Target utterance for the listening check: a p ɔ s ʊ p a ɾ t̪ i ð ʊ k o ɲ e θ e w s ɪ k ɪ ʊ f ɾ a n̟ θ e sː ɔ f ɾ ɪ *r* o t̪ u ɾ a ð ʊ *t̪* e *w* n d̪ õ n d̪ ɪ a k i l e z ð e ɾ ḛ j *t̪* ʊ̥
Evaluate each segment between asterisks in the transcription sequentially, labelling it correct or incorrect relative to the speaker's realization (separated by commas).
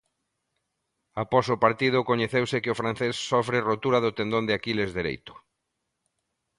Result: correct, correct, incorrect, correct